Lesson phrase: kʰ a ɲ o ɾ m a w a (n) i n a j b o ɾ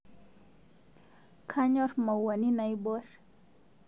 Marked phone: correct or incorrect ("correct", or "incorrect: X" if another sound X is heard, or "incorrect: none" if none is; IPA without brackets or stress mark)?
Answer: correct